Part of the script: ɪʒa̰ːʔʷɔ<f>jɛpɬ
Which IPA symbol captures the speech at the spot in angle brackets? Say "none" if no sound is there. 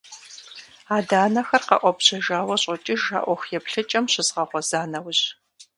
x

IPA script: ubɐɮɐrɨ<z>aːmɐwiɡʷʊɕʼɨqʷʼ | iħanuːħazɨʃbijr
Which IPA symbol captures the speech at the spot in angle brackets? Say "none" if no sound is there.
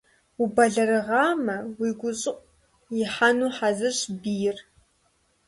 ʁ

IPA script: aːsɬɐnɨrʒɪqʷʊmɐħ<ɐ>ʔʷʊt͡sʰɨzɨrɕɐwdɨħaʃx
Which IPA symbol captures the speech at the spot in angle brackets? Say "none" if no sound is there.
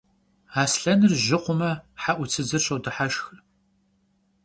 a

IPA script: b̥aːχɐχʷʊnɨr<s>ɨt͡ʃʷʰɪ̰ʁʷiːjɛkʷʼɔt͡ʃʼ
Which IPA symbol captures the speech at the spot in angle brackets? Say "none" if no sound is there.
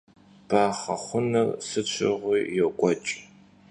s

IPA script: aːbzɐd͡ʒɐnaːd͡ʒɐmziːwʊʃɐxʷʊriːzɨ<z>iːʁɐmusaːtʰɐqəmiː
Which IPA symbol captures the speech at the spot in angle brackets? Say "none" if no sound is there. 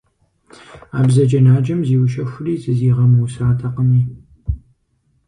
z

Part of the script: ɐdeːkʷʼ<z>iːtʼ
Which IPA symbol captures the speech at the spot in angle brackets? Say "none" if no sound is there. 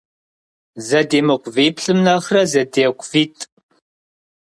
v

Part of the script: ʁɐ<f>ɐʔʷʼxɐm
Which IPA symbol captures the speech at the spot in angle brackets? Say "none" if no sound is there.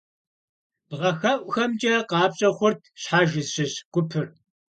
x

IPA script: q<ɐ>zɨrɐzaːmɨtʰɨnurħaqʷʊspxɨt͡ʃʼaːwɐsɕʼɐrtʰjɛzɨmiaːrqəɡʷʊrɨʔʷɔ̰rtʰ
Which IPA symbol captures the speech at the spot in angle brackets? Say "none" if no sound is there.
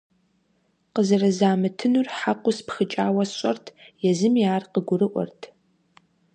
ə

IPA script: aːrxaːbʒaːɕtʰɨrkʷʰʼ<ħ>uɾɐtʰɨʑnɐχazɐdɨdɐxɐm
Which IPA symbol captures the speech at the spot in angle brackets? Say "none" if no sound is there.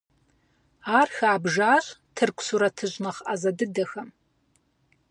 s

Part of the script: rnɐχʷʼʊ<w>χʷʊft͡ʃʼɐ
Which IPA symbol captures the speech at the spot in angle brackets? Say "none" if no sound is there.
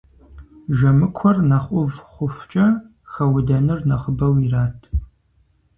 v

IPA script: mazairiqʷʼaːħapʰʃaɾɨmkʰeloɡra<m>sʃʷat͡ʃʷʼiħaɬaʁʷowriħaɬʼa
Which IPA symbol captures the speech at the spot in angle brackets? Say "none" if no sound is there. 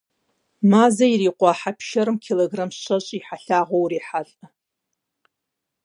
m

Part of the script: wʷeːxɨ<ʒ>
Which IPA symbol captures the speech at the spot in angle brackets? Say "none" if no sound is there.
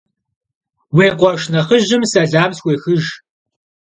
ʒ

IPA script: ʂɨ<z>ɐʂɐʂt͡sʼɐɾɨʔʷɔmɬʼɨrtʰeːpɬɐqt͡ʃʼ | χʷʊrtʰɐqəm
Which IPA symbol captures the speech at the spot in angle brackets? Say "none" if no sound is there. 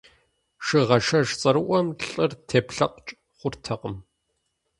ʁ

